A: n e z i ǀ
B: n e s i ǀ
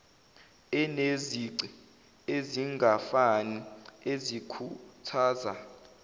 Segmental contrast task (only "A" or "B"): A